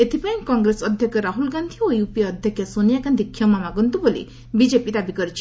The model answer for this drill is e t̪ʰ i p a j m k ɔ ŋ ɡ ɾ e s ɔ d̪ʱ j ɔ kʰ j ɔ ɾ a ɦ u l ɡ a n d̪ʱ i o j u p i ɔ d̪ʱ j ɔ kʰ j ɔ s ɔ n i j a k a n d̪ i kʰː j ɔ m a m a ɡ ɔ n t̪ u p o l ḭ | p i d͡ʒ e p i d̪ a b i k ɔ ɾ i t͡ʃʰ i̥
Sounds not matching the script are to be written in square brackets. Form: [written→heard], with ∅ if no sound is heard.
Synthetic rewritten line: e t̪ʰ i p a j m k ɔ ŋ ɡ ɾ e s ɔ d̪ʱ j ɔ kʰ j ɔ ɾ a ɦ u l ɡ a n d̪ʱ i o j u p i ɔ d̪ʱ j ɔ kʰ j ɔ s [ɔ→o] n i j a k a n d̪ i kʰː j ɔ m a m a ɡ ɔ n t̪ u [p→b] o l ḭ | [p→b] i d͡ʒ e p i d̪ a b i k ɔ ɾ i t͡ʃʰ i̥